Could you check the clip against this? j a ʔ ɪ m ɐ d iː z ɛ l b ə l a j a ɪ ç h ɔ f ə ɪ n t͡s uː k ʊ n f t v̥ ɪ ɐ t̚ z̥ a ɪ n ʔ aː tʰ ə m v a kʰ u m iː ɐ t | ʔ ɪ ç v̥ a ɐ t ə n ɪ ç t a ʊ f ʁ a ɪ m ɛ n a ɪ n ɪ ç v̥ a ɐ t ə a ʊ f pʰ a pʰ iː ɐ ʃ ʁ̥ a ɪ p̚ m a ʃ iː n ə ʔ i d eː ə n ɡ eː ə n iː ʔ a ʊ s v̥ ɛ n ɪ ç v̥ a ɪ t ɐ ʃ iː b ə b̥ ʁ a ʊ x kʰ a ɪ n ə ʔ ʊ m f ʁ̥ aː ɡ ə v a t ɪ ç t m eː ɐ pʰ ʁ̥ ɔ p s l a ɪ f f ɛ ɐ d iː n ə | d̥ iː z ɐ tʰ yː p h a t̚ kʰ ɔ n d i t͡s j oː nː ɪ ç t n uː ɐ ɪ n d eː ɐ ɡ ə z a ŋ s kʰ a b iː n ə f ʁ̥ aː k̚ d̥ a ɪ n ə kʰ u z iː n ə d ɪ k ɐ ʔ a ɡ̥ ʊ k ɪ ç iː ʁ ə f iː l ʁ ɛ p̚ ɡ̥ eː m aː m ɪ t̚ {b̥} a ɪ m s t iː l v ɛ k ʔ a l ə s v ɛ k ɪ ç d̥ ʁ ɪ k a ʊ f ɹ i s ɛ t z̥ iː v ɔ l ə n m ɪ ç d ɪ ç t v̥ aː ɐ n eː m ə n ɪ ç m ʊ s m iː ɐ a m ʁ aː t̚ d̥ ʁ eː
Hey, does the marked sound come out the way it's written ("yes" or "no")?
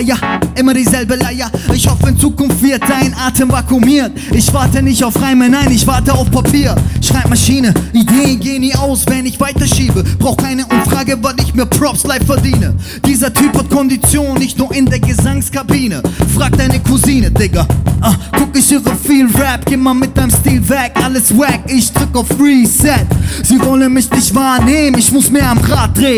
no